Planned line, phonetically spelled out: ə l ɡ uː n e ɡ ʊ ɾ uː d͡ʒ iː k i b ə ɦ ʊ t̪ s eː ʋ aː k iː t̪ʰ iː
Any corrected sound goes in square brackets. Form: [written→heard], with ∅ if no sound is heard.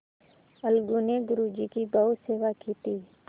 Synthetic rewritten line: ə l ɡ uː n e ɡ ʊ ɾ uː d͡ʒ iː k i b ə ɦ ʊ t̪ s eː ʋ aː k iː [t̪ʰ→t̪] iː